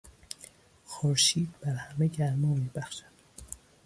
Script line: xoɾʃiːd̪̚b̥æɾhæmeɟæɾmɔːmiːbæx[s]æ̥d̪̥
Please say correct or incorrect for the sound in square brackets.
incorrect